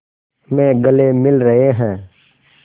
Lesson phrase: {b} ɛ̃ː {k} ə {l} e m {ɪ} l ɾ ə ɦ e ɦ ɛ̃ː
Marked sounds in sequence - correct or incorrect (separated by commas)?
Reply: incorrect, incorrect, correct, correct